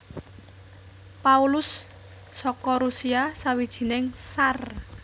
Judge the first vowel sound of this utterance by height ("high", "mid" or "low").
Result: low